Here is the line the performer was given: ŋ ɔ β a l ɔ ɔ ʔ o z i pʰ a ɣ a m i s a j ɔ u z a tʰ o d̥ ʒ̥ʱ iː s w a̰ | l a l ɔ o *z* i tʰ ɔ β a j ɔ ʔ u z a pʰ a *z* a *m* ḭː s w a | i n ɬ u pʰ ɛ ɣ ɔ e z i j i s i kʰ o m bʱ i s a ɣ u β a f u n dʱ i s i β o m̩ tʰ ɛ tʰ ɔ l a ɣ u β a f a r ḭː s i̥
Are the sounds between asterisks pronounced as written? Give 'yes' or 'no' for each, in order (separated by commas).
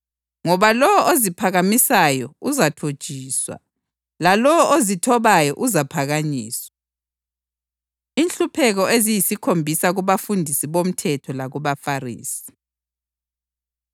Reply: yes, no, no